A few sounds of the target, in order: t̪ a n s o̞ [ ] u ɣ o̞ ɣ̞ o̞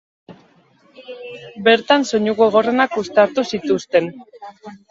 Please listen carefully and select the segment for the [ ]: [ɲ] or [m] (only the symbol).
ɲ